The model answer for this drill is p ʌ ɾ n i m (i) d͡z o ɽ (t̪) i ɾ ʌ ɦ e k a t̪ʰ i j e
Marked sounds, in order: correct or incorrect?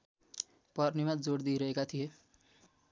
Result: incorrect: a, incorrect: d̪

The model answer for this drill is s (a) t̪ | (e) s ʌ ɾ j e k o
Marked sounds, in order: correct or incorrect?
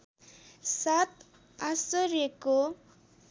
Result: correct, incorrect: a

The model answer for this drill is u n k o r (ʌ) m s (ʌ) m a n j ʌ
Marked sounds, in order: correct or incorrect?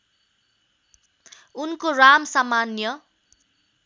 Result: incorrect: a, incorrect: a

